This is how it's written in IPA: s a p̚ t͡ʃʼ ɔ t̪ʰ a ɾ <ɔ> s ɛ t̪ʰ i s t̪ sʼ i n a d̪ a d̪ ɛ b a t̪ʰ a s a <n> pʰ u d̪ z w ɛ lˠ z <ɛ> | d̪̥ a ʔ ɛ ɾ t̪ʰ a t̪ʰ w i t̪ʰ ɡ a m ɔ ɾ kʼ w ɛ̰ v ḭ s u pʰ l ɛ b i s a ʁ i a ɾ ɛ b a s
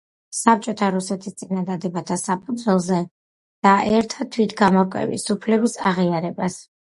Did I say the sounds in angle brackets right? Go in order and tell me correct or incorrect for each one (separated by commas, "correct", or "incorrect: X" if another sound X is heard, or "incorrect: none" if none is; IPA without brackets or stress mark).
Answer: incorrect: u, incorrect: none, correct